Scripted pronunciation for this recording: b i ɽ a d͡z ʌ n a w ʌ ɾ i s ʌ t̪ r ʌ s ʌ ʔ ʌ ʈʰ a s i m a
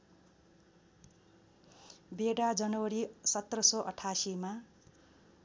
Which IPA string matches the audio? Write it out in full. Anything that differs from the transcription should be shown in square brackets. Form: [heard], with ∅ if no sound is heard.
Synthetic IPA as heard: b [e] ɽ a d͡z ʌ n [ʌ] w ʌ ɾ i s ʌ t̪ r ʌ s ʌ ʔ ʌ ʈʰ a s i m a

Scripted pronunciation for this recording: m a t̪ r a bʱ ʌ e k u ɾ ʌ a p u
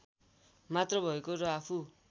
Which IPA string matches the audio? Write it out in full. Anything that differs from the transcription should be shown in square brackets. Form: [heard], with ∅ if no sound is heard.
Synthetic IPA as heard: m a t̪ r [ʌ] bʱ ʌ e k [o] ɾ ʌ a [pʰ] u

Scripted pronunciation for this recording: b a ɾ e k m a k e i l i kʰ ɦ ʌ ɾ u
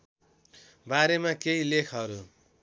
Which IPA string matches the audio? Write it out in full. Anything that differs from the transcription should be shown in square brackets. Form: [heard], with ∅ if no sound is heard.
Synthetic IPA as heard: b a ɾ e [∅] m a k e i l [e] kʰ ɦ ʌ ɾ u

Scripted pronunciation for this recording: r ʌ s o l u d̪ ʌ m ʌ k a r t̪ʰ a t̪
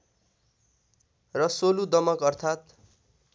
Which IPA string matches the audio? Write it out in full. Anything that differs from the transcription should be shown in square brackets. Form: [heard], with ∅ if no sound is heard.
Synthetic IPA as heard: r ʌ s o l u d̪ ʌ m ʌ k [ʌ] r t̪ʰ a t̪

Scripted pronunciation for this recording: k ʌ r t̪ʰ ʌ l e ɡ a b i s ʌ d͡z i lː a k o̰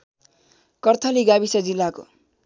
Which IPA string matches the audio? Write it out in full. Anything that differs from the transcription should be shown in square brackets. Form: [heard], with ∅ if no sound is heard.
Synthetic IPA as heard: k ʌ r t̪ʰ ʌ l [i] ɡ a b i s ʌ d͡z i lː a k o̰

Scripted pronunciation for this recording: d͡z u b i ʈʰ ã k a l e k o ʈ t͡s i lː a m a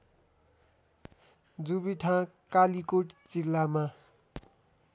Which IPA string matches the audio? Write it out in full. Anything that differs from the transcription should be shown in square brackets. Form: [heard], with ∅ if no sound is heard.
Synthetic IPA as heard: d͡z u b i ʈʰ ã k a l [i] k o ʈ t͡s i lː a m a

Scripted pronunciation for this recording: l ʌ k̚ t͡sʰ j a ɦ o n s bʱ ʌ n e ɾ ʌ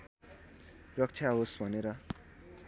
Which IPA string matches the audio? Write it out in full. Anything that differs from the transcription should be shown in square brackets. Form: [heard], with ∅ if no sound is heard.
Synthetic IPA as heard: [r] ʌ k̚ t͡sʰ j a ɦ o [∅] s bʱ ʌ n e ɾ ʌ

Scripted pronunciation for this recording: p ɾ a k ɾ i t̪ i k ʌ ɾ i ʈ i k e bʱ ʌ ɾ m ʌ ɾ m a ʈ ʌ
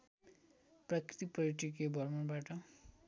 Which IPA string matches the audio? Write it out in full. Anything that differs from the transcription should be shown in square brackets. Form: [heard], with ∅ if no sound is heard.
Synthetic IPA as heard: p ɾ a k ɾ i t̪ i [p] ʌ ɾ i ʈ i k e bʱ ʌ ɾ m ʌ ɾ [b] a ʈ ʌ

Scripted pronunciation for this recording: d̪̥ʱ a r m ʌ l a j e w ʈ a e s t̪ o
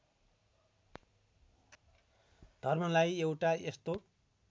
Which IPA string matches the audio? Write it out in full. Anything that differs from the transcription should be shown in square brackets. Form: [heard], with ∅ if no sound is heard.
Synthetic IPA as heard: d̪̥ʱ [ʌ] r m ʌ l a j e w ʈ a e s t̪ o

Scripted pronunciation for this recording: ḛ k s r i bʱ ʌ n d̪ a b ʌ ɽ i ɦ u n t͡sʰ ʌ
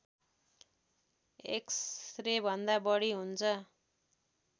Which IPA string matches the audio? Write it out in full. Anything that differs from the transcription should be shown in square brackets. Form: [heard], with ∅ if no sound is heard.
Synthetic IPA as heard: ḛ k s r [e] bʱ ʌ n d̪ a b ʌ ɽ i ɦ u n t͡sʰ ʌ

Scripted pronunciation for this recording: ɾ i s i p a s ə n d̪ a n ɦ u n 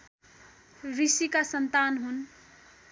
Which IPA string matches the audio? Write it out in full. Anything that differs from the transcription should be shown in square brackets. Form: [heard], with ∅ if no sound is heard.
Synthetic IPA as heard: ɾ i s i [k] a s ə n [t̪] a n ɦ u n

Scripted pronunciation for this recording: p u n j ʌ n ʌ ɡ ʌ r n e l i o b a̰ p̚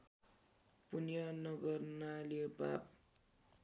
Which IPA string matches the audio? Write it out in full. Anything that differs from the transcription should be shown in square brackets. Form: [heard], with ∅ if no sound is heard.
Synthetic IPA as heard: p u n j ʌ n ʌ ɡ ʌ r n [a] l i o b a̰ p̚

